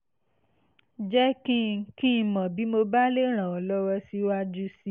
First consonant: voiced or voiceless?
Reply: voiced